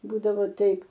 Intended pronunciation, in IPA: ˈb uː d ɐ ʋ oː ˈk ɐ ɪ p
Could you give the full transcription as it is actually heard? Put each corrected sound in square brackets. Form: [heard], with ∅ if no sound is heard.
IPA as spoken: ˈb uː d ɐ ʋ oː [ˈt] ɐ ɪ p